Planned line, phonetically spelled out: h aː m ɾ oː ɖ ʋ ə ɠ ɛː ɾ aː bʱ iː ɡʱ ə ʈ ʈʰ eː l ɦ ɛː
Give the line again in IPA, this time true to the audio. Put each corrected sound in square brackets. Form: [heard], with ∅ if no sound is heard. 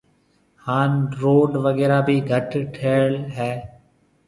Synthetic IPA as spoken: h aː [n] ɾ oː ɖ ʋ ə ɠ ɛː ɾ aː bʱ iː ɡʱ ə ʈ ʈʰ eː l ɦ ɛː